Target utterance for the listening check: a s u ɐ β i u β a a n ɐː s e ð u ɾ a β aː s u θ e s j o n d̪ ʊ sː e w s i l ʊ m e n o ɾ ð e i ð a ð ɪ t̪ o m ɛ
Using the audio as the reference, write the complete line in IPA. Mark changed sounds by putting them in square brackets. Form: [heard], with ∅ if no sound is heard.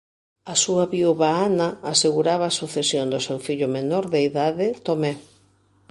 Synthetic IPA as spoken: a s u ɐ β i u β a a n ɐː s e [ɣ] u ɾ a β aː s u θ e s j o n d̪ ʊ [s] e w [f] i [ʎ] ʊ m e n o ɾ ð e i ð a ð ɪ t̪ o m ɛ